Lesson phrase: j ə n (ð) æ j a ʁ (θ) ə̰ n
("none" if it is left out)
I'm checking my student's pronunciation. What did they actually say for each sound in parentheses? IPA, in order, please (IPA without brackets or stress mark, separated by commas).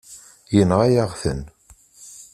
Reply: ʁ, θ